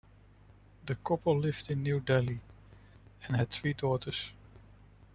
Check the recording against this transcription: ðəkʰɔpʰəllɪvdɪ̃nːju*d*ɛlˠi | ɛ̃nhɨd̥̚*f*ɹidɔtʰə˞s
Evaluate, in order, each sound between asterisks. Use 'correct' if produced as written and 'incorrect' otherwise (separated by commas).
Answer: correct, incorrect